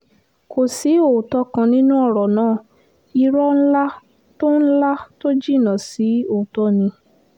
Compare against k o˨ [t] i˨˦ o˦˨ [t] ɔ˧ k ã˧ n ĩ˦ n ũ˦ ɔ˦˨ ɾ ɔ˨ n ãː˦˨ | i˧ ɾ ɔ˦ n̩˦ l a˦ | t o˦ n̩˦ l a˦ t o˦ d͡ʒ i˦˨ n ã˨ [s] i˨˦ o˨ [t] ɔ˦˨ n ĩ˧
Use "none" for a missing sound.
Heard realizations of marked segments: s, t, s, t

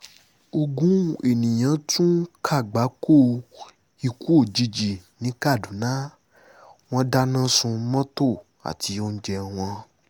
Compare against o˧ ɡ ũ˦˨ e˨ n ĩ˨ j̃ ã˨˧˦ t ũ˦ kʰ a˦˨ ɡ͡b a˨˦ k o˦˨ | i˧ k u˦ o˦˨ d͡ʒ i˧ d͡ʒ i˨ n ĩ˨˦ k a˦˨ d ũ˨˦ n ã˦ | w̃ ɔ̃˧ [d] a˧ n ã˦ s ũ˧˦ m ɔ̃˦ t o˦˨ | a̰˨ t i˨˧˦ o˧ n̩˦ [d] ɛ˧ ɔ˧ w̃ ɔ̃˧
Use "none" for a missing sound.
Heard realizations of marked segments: d, d͡ʒ

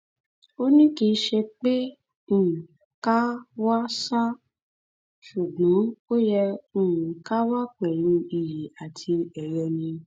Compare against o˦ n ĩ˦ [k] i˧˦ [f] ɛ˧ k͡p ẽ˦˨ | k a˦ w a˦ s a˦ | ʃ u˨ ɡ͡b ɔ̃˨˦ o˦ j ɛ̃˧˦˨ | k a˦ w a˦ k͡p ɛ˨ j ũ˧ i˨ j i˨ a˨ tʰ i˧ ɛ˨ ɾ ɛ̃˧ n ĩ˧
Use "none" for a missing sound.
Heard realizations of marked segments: k, ʃ

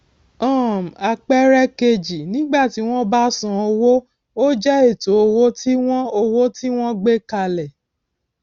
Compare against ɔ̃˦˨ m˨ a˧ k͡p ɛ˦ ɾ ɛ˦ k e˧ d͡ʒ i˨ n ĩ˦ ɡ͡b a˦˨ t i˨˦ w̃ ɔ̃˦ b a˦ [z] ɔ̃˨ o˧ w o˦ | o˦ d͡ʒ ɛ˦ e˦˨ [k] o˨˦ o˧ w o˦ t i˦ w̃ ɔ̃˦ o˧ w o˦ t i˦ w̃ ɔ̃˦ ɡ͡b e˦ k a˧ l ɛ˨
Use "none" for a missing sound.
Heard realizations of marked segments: s, t

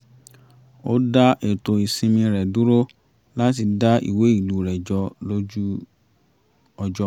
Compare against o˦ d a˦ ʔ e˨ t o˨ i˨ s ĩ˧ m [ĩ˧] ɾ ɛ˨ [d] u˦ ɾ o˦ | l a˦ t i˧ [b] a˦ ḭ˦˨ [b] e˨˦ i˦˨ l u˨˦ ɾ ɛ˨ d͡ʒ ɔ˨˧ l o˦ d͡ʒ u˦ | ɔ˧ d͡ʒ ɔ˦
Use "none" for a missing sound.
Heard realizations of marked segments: ĩ˧, d, d, w

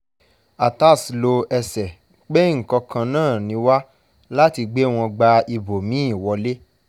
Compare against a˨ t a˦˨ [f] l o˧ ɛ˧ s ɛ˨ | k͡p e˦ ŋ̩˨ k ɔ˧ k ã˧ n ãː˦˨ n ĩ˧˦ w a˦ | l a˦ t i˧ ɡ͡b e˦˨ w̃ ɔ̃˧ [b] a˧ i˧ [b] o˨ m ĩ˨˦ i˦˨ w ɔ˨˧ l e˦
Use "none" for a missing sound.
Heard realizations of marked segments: s, ɡ͡b, b

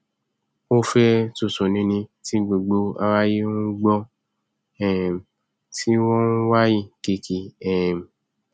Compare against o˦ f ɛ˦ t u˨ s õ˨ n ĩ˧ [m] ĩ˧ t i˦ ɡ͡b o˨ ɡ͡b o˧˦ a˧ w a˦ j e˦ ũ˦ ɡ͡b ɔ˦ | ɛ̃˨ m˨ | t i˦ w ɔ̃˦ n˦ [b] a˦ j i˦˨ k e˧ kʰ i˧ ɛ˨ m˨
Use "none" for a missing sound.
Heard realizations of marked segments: n, w

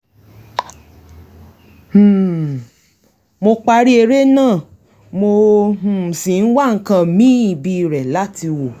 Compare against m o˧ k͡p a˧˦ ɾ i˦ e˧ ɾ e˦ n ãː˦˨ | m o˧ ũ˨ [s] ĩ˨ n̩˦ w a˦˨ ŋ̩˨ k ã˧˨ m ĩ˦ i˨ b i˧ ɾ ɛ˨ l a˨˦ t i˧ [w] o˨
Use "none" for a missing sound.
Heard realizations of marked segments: s, w

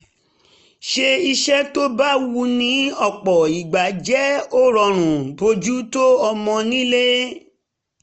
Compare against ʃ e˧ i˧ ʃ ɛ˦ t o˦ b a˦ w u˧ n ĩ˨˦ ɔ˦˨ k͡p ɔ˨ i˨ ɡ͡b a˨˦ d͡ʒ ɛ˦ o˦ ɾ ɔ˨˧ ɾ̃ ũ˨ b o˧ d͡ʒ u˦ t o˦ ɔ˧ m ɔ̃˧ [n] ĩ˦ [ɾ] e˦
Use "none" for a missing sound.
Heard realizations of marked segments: n, l

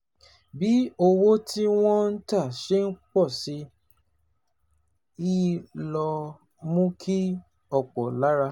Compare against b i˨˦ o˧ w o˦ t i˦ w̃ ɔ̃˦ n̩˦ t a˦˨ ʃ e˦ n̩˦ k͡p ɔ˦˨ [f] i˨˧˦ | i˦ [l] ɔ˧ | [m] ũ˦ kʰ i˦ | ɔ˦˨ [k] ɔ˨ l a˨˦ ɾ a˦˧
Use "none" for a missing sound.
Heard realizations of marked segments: s, l, m, k͡p

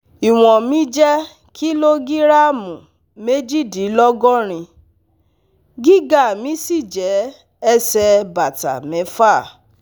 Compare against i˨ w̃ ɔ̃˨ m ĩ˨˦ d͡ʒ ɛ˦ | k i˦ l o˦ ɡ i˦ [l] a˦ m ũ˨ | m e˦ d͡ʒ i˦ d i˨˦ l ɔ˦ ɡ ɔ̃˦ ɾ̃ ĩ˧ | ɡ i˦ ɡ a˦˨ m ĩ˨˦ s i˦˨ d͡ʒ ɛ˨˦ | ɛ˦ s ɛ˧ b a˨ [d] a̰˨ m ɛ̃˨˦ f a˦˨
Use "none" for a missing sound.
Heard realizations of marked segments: ɾ, t

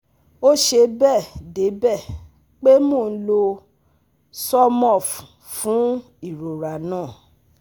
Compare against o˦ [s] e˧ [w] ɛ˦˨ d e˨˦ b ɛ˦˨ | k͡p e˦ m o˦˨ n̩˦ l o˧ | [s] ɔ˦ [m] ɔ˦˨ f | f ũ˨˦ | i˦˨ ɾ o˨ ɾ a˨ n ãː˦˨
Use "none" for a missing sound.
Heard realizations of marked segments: ʃ, b, s, m

